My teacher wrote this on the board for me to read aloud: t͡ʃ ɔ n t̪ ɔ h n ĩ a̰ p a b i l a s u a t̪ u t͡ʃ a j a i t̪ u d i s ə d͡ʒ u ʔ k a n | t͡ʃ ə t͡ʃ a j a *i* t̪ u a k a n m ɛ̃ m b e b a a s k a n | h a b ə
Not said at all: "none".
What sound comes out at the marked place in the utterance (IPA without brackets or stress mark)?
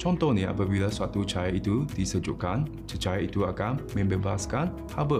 i